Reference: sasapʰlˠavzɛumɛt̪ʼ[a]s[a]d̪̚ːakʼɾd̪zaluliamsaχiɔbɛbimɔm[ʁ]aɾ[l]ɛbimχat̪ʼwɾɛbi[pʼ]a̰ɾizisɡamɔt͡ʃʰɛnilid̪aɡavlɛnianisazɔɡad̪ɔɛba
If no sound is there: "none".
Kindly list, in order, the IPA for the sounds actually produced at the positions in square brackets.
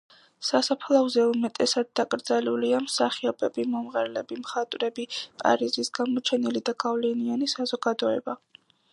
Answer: ɛ, a, ʁ, l, pʼ

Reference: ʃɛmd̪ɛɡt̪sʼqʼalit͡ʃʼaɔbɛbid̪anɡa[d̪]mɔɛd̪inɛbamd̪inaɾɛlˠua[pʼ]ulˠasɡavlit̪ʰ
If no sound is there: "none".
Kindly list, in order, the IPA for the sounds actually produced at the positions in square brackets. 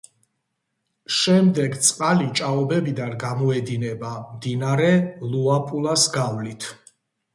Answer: none, pʼ

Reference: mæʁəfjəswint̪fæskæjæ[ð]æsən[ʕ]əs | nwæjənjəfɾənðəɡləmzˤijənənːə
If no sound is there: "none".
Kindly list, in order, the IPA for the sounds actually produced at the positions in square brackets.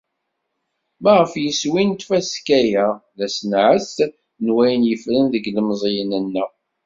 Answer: ð, ʕ

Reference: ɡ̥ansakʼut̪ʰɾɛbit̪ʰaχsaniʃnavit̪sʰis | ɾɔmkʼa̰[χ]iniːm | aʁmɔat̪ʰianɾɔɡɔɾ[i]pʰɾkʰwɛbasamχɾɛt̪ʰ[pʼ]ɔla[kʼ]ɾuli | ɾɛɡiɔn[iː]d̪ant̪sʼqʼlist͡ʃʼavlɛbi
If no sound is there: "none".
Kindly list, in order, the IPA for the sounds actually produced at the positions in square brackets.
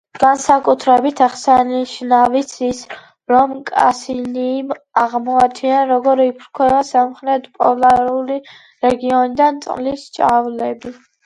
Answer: s, i, pʼ, none, i

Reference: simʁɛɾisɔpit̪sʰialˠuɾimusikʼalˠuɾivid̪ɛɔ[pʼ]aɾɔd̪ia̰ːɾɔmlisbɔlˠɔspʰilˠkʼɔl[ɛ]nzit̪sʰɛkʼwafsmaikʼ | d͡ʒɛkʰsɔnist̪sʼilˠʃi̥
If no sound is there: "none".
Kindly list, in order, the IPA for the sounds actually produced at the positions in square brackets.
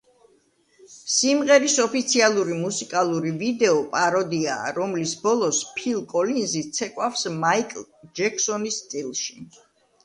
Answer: pʼ, i

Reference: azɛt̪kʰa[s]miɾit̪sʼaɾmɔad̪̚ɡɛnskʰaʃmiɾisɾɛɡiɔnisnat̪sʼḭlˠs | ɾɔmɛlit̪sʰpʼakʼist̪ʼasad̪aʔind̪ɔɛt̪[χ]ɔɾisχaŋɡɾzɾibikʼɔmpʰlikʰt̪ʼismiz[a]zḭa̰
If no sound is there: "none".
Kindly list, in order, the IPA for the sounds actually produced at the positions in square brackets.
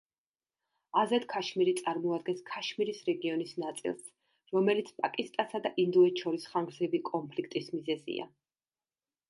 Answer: ʃ, ʃ, ɛ

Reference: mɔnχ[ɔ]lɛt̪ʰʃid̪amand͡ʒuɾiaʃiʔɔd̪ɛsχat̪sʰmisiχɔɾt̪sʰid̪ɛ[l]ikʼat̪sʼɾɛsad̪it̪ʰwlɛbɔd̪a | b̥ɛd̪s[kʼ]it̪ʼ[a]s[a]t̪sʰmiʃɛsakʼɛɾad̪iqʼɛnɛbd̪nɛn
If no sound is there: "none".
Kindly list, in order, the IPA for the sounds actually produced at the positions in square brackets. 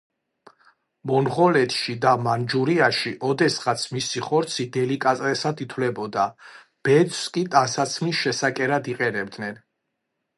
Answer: ɔ, l, kʼ, a, a

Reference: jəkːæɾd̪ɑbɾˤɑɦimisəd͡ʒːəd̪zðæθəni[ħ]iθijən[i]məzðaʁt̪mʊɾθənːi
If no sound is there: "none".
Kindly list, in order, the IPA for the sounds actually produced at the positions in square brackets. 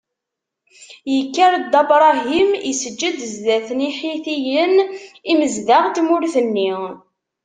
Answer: ħ, i

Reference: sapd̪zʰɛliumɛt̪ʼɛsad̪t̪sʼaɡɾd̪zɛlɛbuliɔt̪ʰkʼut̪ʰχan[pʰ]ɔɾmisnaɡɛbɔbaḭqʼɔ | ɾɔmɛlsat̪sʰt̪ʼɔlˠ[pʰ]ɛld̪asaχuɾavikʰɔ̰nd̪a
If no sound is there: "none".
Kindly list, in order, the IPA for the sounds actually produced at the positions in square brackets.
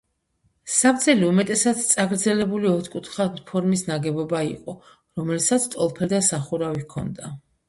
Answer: pʰ, pʰ

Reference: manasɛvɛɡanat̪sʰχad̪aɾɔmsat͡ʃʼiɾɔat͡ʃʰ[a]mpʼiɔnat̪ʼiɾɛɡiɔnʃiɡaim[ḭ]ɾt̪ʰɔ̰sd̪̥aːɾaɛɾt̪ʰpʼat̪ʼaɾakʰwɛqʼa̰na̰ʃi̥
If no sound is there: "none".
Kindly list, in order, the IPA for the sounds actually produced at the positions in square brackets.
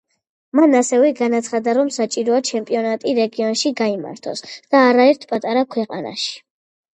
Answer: ɛ, a̰

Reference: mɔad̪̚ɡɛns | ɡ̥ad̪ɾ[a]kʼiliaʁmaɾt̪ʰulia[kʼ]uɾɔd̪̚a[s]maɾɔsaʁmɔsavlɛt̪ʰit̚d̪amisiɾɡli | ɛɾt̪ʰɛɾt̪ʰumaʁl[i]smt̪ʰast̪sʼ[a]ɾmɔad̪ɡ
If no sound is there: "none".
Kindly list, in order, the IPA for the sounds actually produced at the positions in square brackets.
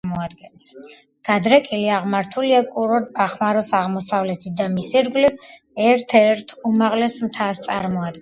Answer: ɛ, kʼ, χ, ɛ, a

